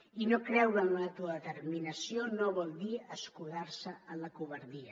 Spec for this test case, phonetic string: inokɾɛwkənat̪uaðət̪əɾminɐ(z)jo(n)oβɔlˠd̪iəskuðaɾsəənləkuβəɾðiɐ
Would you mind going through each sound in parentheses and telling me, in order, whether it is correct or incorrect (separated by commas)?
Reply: incorrect, correct